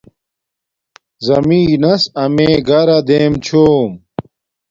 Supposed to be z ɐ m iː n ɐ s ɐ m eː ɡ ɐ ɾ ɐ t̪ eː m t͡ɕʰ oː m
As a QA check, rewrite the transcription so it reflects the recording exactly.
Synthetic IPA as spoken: z ɐ m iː n ɐ s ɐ m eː ɡ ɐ ɾ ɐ d̪ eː m t͡ɕʰ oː m